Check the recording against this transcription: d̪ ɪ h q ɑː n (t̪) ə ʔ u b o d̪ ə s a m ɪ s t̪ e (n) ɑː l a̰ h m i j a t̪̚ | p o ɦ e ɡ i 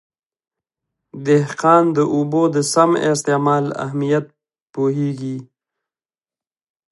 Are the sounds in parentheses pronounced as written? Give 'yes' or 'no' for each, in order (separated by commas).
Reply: no, no